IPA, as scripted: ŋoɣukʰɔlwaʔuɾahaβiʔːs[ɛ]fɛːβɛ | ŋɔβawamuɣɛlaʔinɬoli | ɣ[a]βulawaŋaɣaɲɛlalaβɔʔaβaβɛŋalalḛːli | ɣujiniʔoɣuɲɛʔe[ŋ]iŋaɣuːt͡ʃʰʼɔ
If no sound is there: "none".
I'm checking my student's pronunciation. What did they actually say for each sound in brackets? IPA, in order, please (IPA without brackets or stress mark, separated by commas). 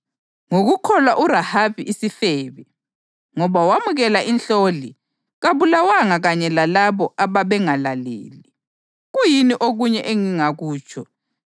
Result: i, a, ŋ